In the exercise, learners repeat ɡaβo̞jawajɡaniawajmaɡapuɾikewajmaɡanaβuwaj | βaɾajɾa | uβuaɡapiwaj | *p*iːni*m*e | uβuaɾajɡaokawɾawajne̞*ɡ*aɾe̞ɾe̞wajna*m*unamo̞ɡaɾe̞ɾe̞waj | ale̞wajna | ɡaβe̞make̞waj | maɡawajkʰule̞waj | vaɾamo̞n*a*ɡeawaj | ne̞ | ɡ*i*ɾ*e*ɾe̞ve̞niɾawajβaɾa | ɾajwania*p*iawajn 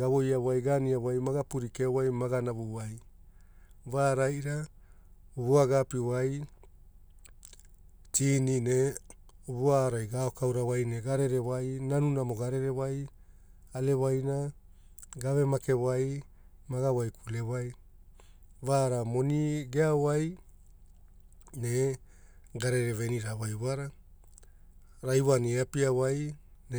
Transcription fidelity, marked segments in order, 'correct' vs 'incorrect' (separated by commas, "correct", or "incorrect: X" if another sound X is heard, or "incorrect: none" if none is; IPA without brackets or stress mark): incorrect: t, incorrect: n, correct, incorrect: n, incorrect: i, incorrect: a, correct, correct